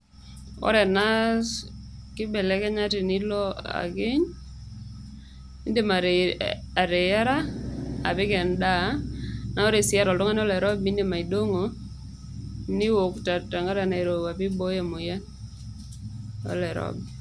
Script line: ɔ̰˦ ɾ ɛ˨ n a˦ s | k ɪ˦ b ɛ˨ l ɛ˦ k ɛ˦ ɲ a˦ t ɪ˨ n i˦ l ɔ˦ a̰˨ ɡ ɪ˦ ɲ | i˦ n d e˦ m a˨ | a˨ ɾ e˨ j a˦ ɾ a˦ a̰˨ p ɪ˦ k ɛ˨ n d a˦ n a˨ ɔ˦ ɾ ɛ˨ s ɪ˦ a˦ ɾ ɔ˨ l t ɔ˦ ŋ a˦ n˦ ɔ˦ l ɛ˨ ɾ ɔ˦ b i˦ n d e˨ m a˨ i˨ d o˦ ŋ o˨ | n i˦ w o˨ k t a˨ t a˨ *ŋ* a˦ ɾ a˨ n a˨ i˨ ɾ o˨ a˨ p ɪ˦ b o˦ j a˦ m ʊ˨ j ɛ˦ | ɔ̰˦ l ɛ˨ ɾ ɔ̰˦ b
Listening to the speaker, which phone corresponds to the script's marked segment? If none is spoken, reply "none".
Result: ŋ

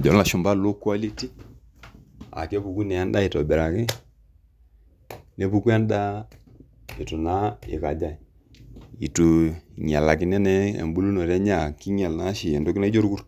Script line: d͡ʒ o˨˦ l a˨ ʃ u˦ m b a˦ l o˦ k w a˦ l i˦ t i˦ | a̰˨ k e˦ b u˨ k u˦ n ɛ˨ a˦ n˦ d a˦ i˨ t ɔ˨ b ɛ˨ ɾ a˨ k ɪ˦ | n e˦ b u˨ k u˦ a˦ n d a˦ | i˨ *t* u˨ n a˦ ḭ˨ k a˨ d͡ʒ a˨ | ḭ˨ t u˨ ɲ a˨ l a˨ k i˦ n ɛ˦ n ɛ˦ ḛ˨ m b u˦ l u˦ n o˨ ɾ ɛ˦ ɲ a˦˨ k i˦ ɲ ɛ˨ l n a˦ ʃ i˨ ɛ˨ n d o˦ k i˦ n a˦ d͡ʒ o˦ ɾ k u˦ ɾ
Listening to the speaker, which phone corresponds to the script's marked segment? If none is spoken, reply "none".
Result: t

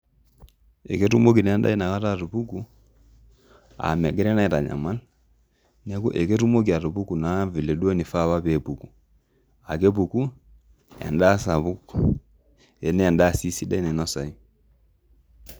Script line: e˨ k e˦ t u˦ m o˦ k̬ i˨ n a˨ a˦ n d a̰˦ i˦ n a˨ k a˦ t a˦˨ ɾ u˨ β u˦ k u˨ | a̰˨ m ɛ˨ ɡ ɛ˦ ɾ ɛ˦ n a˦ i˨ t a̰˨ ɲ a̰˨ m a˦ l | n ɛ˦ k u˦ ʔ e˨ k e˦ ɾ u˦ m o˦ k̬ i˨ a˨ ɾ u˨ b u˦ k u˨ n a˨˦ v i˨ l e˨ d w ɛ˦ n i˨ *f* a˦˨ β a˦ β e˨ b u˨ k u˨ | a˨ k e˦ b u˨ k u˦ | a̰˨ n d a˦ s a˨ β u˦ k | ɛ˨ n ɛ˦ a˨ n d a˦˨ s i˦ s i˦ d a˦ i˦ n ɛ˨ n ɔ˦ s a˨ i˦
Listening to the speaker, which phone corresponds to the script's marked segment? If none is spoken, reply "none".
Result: f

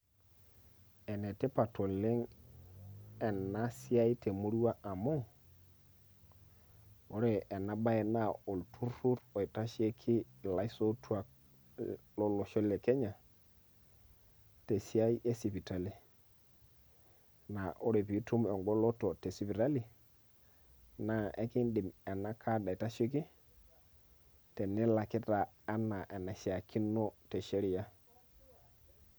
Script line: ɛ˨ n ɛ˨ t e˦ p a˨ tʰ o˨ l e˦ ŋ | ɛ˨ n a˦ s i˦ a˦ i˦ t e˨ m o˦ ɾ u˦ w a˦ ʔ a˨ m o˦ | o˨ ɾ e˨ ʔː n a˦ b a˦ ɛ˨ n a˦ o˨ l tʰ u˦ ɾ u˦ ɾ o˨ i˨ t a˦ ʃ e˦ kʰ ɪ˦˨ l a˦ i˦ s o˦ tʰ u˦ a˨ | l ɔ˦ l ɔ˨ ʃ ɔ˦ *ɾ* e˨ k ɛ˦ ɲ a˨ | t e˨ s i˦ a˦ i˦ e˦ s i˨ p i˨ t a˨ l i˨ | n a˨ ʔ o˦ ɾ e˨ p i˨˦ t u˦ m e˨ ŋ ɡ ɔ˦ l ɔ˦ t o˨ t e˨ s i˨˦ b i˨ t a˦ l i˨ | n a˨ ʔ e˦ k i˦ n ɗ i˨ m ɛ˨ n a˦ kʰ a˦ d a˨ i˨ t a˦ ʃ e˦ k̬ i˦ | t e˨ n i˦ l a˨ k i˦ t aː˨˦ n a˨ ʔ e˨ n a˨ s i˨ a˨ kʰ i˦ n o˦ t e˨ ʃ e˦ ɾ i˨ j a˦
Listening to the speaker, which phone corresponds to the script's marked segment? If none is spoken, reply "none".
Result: l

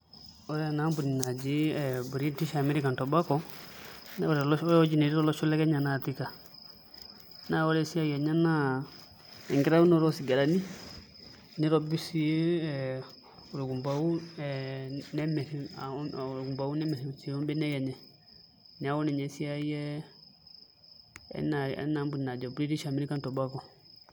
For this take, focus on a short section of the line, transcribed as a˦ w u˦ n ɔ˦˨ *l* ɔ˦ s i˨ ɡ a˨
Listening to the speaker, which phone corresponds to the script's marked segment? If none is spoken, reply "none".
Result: ɾ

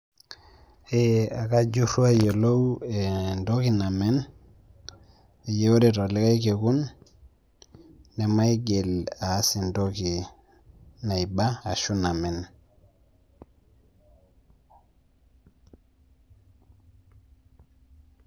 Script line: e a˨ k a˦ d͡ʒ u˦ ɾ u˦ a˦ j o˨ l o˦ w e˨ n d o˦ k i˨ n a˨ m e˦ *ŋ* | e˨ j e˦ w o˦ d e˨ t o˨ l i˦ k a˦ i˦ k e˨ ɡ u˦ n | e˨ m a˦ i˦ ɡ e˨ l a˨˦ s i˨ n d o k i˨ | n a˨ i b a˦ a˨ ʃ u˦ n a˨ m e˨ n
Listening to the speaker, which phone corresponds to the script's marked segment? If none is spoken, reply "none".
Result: n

